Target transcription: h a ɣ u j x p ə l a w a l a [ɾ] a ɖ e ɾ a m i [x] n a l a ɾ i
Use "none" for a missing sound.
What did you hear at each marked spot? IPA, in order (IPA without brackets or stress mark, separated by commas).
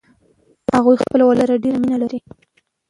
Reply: ɾ, none